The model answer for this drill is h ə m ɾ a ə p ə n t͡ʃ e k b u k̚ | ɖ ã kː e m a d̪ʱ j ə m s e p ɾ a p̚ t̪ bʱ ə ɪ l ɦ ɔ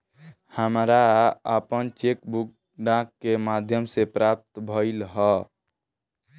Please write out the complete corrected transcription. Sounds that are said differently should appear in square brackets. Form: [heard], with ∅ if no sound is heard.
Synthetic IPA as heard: h ə m ɾ a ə p ə n t͡ʃ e k b u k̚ | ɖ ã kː e m a d̪ʱ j ə m s e p ɾ a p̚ t̪ bʱ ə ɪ l ɦ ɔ